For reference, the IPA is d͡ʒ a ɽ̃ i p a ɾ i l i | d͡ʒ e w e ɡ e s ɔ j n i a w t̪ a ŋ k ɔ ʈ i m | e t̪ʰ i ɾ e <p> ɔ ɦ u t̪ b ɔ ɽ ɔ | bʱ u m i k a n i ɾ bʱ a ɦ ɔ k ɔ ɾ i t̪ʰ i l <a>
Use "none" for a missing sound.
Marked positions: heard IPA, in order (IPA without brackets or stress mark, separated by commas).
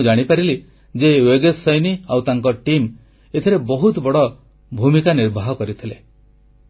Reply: b, e